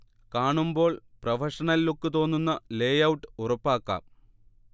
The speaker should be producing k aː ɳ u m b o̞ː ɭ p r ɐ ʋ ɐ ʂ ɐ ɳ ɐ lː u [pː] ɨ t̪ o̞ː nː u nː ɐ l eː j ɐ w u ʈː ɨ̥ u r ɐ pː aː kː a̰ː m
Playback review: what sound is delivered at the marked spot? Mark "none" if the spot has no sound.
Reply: kː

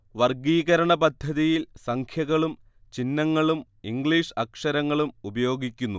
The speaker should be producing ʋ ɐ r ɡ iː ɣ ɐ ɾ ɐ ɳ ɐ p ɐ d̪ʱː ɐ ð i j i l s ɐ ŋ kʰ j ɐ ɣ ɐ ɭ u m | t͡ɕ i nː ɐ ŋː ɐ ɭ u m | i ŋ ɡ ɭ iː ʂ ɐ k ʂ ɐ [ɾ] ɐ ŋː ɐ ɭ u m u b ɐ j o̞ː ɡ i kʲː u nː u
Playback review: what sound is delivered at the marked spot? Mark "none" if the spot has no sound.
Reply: ɾ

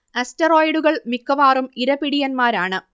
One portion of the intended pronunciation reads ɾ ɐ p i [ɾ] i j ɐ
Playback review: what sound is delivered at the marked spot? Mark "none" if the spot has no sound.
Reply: ɽ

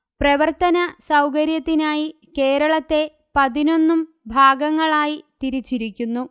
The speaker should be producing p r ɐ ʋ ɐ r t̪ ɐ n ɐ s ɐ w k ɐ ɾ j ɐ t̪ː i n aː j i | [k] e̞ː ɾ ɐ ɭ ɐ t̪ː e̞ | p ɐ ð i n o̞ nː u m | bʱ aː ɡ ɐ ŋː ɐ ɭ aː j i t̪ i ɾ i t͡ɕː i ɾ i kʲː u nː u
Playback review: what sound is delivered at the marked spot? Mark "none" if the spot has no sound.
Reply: k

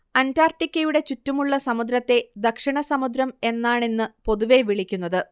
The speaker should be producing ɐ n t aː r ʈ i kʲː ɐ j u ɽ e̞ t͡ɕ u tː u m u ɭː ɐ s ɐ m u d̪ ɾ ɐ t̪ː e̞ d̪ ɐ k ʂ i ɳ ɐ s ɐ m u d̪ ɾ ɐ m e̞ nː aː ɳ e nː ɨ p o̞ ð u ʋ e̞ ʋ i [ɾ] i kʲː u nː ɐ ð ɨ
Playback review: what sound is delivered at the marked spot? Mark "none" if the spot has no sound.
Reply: ɭ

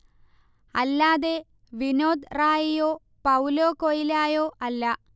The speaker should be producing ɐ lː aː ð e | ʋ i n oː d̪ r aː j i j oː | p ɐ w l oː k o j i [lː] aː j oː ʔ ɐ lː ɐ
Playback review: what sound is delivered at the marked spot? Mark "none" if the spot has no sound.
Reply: l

